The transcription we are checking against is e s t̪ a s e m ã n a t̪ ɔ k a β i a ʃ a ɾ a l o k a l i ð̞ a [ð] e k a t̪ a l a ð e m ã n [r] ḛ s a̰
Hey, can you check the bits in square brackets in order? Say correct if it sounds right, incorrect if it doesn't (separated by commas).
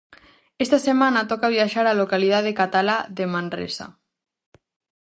correct, correct